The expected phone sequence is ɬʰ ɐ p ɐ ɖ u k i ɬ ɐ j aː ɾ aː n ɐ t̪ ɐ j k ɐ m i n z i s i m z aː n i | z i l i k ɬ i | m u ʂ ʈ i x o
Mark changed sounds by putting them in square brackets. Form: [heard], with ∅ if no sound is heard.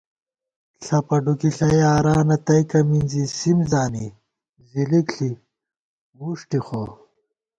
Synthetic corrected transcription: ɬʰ ɐ p ɐ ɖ u k i ɬ ɐ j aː ɾ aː n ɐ t̪ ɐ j k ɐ m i n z i s i m z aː n i | z i l i k ɬ i | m u ʂ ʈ i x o

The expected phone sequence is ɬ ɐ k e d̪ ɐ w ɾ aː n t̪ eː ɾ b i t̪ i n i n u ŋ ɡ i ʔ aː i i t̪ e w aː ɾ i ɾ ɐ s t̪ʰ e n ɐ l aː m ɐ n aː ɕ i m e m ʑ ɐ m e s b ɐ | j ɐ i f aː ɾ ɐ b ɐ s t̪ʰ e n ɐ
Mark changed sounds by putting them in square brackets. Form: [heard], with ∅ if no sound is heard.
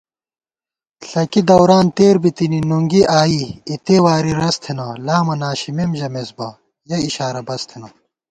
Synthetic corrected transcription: ɬ ɐ k [i] d̪ ɐ w ɾ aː n t̪ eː ɾ b i t̪ i n i n u ŋ ɡ i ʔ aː i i t̪ e w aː ɾ i ɾ ɐ s t̪ʰ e n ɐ l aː m ɐ n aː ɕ i m e m ʑ ɐ m e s b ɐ | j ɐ i [ɕ] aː ɾ ɐ b ɐ s t̪ʰ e n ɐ

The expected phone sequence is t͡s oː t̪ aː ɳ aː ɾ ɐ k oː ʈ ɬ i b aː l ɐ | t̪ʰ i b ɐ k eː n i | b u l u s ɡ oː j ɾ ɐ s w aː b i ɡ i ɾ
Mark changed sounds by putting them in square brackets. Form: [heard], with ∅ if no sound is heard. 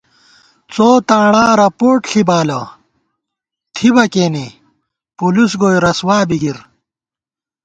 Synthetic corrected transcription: t͡s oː t̪ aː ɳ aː ɾ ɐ [p] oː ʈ ɬ i b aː l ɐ | t̪ʰ i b ɐ k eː n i | [p] u l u s ɡ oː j ɾ ɐ s w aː b i ɡ i ɾ

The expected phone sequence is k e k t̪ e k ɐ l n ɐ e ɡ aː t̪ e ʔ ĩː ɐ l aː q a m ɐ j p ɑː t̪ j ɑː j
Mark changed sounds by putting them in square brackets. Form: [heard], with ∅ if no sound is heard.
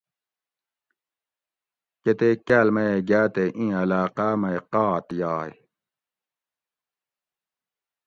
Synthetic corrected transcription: k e [∅] t̪ e k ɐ l [m] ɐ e ɡ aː t̪ e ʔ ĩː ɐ l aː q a m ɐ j [q] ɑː t̪ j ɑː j

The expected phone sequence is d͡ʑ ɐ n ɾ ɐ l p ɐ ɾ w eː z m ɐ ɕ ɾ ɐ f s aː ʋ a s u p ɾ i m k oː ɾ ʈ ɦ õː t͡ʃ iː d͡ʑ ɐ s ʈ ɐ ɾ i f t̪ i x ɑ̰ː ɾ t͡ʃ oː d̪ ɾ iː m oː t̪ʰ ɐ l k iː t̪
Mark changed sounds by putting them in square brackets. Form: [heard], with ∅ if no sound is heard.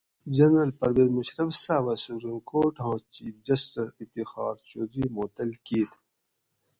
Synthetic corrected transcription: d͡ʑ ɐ n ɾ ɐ l p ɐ ɾ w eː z m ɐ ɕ ɾ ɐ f s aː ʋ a s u p ɾ i m k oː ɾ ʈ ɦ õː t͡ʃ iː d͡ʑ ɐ s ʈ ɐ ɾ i f t̪ i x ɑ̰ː ɾ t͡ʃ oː d̪ ɾ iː m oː [t̪] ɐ l k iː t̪

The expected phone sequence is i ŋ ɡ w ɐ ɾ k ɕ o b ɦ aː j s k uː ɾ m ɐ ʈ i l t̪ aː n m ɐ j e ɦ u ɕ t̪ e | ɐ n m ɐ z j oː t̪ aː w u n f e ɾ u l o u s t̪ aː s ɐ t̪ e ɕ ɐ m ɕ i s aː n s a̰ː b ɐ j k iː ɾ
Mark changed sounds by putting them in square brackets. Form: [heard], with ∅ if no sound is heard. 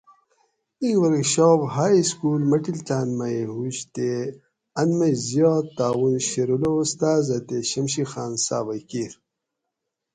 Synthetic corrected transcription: i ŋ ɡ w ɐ ɾ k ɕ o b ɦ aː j s k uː [l] m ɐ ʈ i l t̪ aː n m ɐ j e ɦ u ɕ t̪ e | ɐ n m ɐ z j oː t̪ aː w u n [ɕ] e ɾ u l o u s t̪ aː [z] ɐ t̪ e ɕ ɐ m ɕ i [x] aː n s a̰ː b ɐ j k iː ɾ

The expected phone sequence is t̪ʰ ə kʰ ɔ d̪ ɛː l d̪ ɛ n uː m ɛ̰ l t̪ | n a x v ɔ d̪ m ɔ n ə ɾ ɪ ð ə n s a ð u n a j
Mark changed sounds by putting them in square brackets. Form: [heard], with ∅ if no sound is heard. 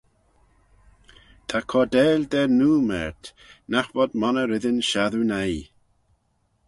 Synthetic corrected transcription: t̪ʰ [a] kʰ ɔ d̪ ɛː l d̪ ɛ n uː m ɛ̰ [ɹ] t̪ | n a x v ɔ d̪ m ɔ n ə ɾ ɪ ð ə n [ʃ] a ð u n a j

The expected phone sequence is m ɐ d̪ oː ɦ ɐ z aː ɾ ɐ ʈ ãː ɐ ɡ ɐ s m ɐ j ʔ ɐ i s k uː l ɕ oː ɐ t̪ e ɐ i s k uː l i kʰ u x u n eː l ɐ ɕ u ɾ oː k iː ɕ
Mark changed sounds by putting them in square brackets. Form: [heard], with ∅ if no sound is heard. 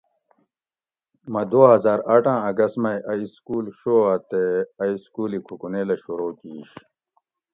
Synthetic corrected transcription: m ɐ d̪ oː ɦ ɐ z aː ɾ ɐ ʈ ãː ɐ ɡ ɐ s m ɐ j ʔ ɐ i s k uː l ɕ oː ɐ t̪ e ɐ i s k uː l i kʰ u [k] u n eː l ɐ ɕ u ɾ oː k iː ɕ

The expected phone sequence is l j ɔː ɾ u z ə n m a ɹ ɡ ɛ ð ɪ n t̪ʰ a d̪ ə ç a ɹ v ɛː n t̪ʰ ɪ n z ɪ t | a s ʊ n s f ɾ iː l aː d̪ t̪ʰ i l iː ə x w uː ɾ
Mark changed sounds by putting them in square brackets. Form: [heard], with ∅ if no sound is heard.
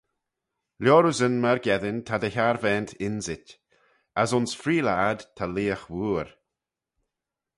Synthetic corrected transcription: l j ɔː ɾ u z ə n m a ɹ ɡ ɛ ð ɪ n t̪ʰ a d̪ ə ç a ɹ v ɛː n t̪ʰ ɪ n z ɪ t | a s ʊ n s f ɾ iː l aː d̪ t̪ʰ [a] l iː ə x w uː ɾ

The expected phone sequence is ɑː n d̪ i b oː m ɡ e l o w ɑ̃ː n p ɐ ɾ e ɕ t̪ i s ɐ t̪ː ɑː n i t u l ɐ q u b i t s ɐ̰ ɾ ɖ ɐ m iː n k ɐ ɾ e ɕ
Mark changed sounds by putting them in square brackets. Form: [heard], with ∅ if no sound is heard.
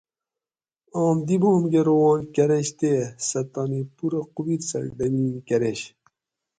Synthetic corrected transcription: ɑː [m] d̪ i b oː m ɡ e [ɾ] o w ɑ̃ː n [k] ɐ ɾ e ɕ t̪ [e] s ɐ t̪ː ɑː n i [p] u [ɾ] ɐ q u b i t s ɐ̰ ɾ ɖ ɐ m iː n k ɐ ɾ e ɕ

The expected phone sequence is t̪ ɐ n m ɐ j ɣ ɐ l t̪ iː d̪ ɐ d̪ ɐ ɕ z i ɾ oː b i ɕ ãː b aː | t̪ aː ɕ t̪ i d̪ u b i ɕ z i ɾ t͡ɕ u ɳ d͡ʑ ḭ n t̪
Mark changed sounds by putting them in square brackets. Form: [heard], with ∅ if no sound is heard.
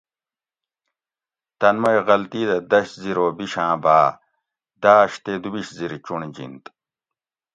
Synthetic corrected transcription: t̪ ɐ n m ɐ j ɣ ɐ l t̪ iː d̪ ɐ d̪ ɐ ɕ z i ɾ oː b i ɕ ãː b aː | [d̪] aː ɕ t̪ [e] d̪ u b i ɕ z i ɾ t͡ɕ u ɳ d͡ʑ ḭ n t̪

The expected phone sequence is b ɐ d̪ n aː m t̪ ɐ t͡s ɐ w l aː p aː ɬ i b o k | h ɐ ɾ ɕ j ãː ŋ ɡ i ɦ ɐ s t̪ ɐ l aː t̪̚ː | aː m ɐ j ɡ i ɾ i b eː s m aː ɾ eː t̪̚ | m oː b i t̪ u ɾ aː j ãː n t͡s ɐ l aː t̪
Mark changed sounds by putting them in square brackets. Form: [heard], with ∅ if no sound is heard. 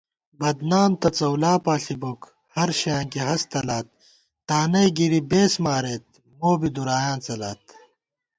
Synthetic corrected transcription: b ɐ d̪ n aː m t̪ ɐ t͡s ɐ w l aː p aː ɬ i b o k | h ɐ ɾ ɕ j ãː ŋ [k] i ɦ ɐ s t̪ ɐ l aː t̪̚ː | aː [n] ɐ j ɡ i ɾ i b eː s m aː ɾ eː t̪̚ | m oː b i [d̪] u ɾ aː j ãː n t͡s ɐ l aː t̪

